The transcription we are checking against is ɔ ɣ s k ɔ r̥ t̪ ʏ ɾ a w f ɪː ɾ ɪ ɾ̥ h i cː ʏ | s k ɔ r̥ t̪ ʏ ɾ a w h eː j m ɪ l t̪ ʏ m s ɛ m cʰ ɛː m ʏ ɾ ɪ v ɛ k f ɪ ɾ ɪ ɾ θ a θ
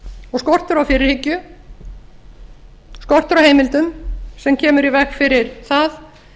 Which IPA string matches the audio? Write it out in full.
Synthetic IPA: ɔ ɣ s k ɔ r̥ t̪ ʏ ɾ a w f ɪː ɾ ɪ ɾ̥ h ɪ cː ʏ | s k ɔ r̥ t̪ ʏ ɾ a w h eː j m ɪ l t̪ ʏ m s ɛ m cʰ ɛː m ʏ ɾ i v ɛ x f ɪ ɾ ɪ ɾ θ a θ